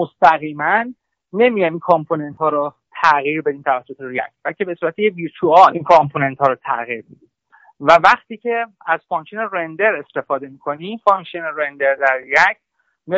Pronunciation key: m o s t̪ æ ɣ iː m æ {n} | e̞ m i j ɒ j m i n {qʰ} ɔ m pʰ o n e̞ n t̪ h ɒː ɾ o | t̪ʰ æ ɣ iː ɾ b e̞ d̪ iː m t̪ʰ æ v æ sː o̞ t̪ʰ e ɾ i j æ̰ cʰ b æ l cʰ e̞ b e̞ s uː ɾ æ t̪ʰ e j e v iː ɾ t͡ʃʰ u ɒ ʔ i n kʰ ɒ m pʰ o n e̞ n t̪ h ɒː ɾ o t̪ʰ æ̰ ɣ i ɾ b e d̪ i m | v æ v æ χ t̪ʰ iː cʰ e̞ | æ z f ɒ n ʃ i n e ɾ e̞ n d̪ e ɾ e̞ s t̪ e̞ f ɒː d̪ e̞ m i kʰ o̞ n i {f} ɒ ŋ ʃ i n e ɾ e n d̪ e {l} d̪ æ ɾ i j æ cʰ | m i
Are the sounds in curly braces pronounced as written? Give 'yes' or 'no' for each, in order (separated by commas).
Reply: no, no, yes, no